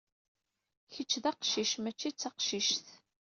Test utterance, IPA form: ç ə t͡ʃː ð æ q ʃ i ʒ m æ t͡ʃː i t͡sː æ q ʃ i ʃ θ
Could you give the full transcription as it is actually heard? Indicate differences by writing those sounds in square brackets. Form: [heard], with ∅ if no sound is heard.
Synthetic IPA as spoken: ç ə t͡ʃː ð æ q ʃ i [ʃ] m æ t͡ʃː i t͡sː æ q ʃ i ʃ θ